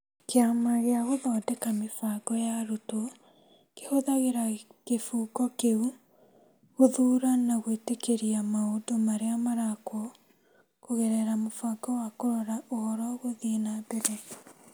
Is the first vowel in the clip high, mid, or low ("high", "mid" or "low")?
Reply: mid